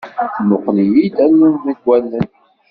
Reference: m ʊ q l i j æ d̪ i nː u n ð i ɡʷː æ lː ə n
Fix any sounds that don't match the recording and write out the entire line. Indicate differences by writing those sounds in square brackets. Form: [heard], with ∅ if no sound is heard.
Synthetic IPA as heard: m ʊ q l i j [i] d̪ [æ] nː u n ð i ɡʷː æ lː ə n

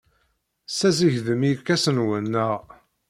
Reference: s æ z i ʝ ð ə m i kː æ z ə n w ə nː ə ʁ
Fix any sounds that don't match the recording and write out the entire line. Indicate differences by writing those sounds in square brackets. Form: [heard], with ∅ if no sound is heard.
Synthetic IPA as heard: s æ z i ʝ ð ə m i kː æ [s] ə n w ə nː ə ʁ

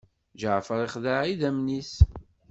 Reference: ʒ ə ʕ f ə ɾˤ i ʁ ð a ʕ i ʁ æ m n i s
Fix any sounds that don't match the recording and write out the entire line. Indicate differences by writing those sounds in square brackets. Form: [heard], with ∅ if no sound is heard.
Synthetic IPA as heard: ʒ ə ʕ f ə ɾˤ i [χ] ð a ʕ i [ð] æ m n i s

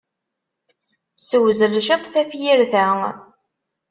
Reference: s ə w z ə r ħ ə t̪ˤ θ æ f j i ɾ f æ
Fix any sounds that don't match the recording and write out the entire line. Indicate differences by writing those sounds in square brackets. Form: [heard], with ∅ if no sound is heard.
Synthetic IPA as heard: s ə w z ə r [ʃ] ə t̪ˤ θ æ f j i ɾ [θ] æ

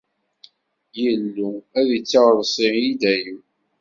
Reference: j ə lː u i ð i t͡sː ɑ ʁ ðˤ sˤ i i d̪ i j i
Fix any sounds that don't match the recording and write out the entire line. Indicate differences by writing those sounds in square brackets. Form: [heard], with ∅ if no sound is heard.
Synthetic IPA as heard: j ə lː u [æ] ð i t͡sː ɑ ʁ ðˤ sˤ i i d̪ [æ] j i

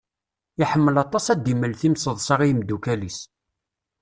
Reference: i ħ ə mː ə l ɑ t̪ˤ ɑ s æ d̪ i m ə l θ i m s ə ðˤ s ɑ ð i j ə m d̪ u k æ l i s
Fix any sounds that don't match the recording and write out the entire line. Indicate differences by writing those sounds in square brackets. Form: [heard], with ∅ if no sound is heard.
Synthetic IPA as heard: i ħ ə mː ə l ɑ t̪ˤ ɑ s æ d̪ i m ə l θ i m s ə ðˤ s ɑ [ʁ] i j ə m d̪ u k æ l i s

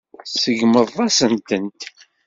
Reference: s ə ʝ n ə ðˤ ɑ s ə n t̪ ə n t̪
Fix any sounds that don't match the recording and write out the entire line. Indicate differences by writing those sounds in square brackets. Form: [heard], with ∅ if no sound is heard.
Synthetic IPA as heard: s ə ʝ [m] ə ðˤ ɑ s ə n t̪ ə n t̪

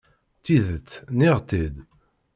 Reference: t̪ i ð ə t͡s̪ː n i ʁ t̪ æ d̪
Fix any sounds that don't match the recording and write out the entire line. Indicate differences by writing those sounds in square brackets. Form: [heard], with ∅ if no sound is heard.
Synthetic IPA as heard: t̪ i ð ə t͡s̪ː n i ʁ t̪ [i] d̪

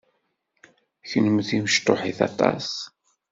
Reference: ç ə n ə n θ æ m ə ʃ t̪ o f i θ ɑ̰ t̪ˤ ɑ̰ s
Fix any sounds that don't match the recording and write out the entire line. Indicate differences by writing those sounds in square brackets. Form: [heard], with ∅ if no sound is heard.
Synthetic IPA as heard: ç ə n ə [m] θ [i] m ə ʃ t̪ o [ħ] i θ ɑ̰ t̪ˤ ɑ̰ s

